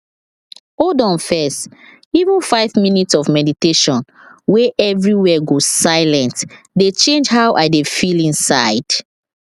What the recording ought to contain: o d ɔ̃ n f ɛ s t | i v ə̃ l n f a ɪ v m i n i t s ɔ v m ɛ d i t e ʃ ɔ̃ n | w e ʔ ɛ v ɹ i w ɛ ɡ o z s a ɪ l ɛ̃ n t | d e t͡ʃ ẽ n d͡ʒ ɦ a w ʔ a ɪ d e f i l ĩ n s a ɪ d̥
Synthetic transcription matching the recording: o d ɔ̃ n f ɛ s t | i v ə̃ n f a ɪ v m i n i t s ɔ v m ɛ d i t e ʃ ɔ̃ n | w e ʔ ɛ v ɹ i w ɛ ɡ o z s a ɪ l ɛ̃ n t | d e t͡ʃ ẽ n d͡ʒ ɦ a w ʔ a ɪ d e f i l ĩ n s a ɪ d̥